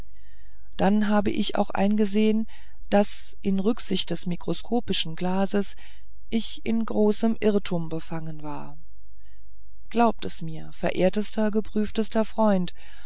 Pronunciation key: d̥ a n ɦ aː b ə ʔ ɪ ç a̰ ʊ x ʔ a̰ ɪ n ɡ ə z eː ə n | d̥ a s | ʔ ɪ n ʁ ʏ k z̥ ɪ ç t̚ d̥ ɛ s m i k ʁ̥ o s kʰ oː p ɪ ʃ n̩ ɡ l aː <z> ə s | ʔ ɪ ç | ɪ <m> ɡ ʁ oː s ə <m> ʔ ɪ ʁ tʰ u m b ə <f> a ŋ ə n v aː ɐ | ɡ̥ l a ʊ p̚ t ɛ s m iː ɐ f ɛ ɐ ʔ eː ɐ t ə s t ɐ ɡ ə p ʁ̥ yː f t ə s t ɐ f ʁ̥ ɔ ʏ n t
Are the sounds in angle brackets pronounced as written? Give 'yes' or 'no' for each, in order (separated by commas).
yes, no, yes, yes